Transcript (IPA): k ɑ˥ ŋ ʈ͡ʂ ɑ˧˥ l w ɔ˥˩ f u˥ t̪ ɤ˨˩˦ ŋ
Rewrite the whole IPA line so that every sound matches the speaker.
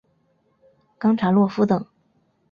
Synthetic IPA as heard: k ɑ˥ ŋ ʈ͡ʂʰ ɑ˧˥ l w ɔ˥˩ f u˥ t̪ ɤ˨˩˦ ŋ